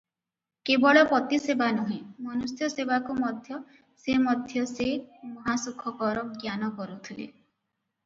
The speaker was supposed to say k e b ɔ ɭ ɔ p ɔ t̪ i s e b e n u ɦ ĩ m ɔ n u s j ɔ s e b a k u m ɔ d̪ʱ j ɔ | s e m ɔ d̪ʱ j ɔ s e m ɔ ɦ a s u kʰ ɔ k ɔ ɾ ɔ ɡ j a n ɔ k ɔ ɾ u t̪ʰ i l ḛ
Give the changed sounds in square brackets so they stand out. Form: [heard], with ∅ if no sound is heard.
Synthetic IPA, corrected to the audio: k e b ɔ ɭ ɔ p ɔ t̪ i s e b [a] n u ɦ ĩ m ɔ n u s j ɔ s e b a k u m ɔ d̪ʱ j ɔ | s e m ɔ d̪ʱ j ɔ s e m ɔ ɦ a s u kʰ ɔ k ɔ ɾ ɔ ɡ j a n ɔ k ɔ ɾ u t̪ʰ i l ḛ